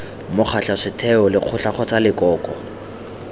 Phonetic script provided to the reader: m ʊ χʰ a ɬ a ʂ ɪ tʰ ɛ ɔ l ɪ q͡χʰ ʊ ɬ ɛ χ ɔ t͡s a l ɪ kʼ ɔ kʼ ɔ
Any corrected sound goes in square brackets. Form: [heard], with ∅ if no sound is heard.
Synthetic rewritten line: m ʊ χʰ a ɬ a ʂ ɪ tʰ ɛ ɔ l ɪ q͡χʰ ʊ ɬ [a] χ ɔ t͡s a l ɪ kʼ [ɔː] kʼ ɔ